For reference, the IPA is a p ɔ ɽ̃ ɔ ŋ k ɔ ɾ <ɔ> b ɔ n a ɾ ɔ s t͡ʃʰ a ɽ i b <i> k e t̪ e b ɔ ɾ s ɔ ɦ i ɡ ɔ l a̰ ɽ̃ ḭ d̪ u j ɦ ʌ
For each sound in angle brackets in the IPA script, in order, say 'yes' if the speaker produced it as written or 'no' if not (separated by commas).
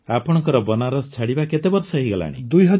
yes, no